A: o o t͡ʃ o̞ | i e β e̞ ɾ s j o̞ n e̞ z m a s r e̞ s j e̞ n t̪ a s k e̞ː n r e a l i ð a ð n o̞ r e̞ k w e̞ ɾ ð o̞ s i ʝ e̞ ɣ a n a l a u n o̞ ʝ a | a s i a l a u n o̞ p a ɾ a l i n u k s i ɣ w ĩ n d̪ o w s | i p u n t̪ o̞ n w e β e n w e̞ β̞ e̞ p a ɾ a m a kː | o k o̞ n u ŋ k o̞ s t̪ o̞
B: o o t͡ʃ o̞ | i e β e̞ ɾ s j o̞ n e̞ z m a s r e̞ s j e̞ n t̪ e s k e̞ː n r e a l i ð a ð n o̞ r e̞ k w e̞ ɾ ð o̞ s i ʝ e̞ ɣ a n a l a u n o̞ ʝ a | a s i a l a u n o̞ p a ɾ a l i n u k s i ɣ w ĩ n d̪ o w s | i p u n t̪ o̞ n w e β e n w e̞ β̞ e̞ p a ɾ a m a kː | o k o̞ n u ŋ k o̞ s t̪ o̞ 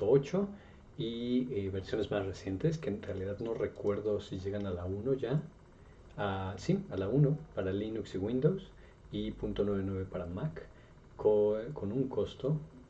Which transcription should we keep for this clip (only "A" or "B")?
B